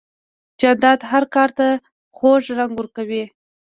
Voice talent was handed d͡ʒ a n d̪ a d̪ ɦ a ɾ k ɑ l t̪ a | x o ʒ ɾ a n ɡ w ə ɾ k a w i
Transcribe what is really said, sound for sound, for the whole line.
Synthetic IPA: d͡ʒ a n d̪ ɑ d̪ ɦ a ɾ k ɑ ɾ t̪ a | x o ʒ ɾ a ŋ ɡ w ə ɾ k a w i